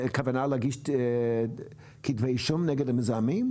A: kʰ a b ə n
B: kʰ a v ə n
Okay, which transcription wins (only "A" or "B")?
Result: B